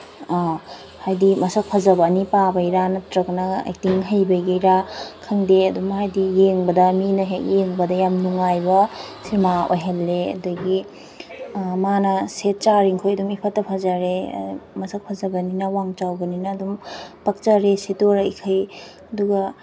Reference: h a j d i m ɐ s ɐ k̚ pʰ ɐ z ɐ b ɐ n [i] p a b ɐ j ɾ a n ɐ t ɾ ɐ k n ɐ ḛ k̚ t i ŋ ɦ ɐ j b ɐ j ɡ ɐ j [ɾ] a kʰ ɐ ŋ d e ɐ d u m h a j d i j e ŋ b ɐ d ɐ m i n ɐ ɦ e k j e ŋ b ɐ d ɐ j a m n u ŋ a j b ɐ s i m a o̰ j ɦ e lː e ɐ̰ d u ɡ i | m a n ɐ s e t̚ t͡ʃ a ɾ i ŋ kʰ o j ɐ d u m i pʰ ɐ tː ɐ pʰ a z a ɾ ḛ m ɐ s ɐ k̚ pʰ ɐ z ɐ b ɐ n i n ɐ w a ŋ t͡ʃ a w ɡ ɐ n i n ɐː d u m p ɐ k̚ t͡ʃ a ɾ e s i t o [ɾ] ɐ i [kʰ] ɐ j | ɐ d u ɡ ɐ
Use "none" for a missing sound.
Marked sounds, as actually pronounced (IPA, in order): i, ɾ, ɾ, kʰ

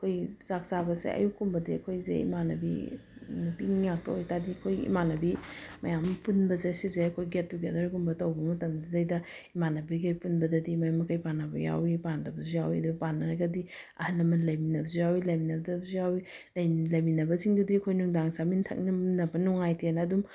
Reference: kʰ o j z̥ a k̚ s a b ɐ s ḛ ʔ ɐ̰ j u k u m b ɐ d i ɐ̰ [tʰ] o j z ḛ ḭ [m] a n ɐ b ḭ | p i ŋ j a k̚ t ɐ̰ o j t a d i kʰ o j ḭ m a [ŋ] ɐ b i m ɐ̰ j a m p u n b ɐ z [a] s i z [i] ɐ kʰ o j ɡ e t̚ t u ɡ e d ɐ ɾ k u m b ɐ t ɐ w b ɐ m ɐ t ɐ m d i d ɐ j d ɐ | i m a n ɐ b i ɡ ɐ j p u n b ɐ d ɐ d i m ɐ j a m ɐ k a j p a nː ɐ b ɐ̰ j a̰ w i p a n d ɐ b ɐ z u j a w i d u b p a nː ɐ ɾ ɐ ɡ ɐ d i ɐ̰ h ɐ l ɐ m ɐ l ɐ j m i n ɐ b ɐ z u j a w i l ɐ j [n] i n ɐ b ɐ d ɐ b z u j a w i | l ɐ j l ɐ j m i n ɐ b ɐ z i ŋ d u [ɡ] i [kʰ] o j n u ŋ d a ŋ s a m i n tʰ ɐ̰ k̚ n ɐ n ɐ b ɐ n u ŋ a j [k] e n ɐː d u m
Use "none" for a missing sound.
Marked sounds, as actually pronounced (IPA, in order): kʰ, m, n, e, e, m, d, kʰ, t

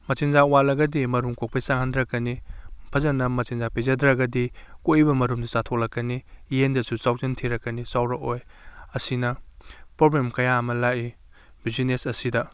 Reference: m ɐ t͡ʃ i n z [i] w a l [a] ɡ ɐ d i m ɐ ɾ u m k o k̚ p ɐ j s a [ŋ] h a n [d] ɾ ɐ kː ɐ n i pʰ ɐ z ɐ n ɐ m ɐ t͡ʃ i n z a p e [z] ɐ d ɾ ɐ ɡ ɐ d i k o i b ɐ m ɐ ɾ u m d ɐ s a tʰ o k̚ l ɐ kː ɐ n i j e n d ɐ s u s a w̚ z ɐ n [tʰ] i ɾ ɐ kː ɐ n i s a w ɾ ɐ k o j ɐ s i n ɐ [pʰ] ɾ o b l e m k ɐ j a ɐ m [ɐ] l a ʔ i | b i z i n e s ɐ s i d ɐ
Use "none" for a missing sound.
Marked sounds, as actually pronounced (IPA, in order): a, ɐ, ŋ, d, z, tʰ, p, ɐ

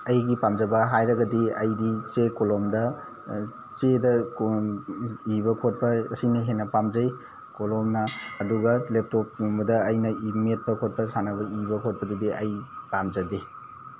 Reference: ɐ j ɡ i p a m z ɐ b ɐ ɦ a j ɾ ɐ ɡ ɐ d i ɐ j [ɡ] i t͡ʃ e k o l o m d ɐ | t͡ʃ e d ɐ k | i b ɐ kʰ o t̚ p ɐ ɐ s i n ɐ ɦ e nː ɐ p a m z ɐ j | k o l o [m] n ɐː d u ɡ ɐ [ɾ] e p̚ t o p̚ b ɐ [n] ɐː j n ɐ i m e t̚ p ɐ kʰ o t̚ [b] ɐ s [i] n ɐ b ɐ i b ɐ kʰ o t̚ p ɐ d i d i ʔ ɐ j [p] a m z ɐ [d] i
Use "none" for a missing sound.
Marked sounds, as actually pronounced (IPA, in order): d, m, l, d, p, a, p, d

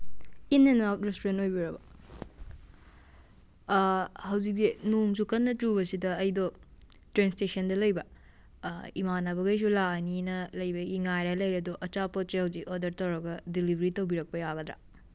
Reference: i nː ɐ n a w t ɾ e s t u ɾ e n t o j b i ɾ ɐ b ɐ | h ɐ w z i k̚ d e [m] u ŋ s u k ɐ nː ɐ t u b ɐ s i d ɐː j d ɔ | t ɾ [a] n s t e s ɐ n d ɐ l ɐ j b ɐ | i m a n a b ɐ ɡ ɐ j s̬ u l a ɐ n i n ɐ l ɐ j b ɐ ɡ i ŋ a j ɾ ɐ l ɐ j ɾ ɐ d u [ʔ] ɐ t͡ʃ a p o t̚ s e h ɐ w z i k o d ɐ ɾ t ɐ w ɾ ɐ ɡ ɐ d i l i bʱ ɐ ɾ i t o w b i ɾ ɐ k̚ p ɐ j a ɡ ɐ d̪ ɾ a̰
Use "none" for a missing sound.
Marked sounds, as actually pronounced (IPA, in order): n, e, ʔ

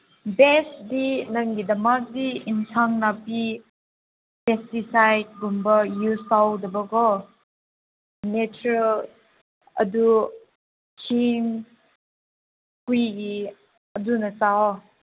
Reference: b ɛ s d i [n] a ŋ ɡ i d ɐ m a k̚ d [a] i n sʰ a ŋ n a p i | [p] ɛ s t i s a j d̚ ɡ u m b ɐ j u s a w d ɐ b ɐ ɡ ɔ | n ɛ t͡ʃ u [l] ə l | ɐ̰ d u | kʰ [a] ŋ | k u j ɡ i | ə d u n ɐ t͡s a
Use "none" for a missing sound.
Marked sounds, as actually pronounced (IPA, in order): n, i, p, ɾ, i

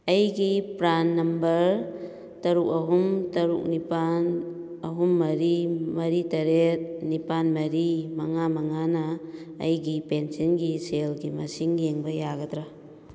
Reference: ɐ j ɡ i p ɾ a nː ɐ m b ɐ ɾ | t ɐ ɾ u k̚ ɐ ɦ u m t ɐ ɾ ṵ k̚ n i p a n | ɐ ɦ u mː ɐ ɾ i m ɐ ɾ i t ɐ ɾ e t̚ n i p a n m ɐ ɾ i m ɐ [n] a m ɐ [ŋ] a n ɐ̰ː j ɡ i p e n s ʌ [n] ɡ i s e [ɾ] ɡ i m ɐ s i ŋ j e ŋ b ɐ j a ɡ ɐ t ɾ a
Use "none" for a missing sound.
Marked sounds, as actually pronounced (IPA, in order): ŋ, ŋ, n, l

